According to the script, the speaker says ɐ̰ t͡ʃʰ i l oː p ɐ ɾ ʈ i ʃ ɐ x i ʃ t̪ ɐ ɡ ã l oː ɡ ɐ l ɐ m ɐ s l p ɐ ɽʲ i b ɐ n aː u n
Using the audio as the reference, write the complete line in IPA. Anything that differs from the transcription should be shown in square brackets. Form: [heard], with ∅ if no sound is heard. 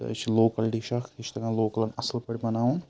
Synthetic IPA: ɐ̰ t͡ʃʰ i l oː [k] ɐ [l] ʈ i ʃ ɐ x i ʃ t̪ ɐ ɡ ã l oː [k] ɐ l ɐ [n] ɐ s l p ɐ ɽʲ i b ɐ n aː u n